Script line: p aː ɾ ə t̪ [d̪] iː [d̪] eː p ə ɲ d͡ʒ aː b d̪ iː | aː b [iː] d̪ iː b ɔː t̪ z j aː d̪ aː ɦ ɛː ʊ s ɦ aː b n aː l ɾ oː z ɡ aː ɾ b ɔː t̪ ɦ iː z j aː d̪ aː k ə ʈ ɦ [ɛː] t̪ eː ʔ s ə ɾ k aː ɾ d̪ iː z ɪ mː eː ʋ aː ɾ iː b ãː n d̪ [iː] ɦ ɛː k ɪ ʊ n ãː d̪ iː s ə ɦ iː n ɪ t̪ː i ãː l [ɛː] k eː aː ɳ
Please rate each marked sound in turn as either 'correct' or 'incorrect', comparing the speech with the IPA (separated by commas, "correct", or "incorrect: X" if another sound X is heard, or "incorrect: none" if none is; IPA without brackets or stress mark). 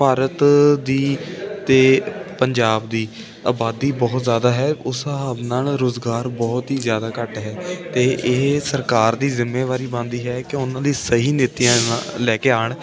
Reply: correct, incorrect: t̪, incorrect: aː, correct, correct, correct